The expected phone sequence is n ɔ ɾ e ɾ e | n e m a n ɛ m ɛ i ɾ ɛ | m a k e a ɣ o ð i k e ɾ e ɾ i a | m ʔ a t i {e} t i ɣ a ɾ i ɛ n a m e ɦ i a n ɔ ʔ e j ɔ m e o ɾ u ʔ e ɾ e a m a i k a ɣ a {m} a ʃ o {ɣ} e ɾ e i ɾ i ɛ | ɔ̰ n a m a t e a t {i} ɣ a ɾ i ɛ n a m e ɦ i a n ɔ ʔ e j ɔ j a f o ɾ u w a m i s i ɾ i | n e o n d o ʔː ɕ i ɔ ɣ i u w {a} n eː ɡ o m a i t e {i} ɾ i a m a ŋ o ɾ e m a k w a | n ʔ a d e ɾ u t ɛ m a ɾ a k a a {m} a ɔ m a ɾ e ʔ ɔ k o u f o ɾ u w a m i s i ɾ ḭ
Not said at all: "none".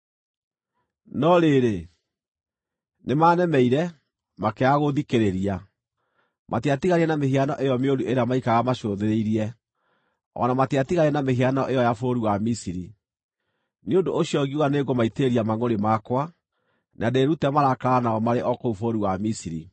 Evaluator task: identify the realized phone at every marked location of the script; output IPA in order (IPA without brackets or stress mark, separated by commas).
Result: a, m, ð, i, a, e, n